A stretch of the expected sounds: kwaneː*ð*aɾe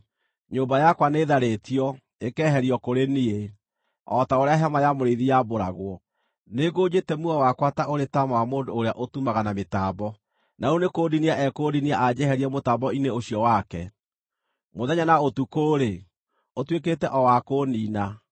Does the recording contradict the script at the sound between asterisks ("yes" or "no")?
no